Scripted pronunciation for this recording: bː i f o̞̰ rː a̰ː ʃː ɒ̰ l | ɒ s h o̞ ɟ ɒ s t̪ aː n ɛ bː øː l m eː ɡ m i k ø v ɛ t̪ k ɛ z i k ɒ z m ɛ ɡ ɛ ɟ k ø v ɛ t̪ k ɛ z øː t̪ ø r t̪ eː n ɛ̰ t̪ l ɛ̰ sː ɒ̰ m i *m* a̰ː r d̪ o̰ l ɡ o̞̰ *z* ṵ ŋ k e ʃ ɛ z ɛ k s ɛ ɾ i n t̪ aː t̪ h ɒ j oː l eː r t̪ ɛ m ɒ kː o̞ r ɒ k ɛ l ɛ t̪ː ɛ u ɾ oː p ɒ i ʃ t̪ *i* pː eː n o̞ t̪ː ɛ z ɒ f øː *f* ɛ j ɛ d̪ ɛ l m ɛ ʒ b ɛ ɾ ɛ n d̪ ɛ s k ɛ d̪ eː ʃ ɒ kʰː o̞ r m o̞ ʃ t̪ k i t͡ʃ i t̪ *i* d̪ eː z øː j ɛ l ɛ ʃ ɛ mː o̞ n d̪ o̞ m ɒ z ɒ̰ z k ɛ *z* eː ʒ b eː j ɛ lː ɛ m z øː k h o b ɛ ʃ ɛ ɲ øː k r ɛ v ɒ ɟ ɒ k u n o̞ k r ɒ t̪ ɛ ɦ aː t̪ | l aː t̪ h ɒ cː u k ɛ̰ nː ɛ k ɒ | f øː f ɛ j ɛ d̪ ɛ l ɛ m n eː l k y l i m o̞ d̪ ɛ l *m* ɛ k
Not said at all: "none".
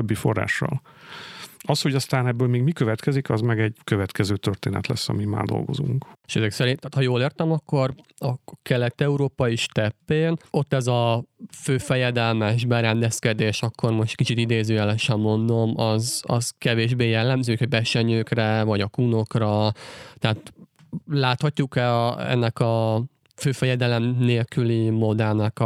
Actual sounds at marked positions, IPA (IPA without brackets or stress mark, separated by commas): m, z, ɛ, f, i, v, n